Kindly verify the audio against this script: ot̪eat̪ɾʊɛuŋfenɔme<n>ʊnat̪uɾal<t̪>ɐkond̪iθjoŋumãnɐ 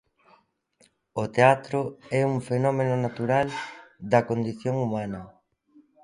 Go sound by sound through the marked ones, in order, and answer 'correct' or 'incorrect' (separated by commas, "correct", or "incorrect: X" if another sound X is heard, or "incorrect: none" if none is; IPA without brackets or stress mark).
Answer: correct, incorrect: d̪